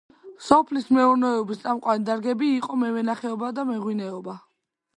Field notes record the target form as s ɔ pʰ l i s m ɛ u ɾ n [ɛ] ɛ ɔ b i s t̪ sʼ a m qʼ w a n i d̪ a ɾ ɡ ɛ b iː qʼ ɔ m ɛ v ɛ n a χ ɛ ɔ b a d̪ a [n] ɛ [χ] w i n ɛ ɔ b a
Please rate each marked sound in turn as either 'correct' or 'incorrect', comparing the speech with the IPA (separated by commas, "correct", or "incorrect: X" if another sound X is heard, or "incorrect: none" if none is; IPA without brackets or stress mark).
correct, incorrect: m, incorrect: ʁ